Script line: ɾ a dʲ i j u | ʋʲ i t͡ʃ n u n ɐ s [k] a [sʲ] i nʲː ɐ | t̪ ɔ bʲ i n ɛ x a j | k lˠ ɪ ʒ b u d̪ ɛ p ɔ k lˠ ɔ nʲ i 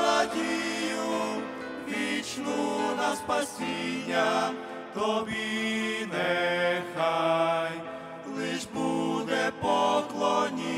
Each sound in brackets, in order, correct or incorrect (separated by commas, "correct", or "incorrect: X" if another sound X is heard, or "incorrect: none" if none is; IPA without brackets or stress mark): incorrect: p, correct